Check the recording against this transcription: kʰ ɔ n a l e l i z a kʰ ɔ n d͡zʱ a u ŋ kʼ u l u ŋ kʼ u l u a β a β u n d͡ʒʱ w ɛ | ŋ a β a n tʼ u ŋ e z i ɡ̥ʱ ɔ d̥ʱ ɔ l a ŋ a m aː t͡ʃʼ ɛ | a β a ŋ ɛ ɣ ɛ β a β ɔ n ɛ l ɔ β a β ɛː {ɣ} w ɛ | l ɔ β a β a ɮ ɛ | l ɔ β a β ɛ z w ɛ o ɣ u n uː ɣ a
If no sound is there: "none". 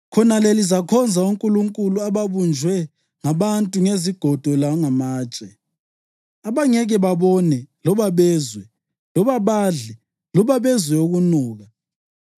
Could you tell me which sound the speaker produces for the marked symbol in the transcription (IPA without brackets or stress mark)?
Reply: z